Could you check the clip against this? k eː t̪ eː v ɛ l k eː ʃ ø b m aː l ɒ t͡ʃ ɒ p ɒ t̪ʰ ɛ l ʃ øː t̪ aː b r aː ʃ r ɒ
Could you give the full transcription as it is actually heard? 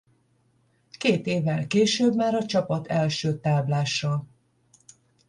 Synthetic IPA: k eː t̪ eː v ɛ l k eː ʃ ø b m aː ɾ ɒ t͡ʃ ɒ p ɒ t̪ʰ ɛ l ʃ øː t̪ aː b l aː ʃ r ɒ